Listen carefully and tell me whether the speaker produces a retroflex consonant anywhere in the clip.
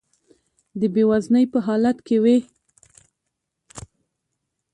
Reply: no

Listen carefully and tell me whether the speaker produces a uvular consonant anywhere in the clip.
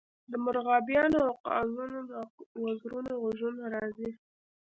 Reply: yes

